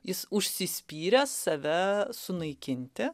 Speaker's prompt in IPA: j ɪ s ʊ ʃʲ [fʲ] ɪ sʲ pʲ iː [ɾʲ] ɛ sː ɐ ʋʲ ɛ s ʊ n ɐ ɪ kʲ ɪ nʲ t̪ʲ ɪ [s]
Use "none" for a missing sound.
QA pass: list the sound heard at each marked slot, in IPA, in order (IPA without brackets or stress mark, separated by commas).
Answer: sʲ, ɾʲ, none